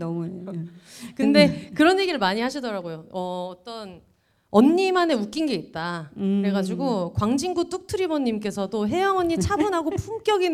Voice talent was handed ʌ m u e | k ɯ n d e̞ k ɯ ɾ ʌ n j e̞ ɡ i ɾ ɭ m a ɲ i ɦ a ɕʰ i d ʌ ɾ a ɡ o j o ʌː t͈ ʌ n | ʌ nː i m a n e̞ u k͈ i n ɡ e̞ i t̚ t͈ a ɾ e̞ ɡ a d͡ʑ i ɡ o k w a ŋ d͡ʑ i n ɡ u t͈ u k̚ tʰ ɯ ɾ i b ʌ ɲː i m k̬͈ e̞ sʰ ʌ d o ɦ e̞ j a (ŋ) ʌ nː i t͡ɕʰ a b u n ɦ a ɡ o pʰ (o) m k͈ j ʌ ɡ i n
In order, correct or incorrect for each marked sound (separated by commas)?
correct, incorrect